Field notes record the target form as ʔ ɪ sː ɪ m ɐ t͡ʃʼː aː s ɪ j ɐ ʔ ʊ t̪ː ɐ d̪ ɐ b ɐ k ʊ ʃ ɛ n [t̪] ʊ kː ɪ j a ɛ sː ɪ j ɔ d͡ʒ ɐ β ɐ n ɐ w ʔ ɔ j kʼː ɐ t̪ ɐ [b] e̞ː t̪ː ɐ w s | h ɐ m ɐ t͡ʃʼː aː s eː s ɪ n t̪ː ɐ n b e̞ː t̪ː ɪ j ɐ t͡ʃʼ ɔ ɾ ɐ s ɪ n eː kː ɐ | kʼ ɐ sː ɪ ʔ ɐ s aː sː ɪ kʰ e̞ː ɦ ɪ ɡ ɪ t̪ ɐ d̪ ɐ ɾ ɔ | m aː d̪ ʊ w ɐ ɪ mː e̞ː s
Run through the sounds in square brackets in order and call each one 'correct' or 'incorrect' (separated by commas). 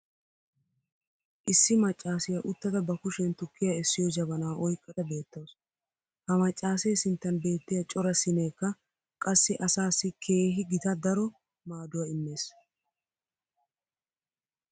correct, correct